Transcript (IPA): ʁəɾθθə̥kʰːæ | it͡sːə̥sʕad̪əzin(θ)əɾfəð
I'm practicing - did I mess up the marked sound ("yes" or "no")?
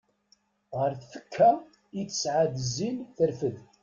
no